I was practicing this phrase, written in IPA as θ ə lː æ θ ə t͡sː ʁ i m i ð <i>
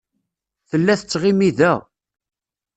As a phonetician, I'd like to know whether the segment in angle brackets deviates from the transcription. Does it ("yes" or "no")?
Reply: yes